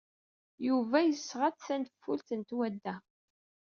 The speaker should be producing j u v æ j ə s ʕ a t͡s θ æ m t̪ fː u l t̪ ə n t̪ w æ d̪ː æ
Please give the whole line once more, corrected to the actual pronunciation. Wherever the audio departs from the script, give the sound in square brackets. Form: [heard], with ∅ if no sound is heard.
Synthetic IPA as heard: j u v æ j ə s [ʁ] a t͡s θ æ [n] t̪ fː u l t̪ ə n t̪ w æ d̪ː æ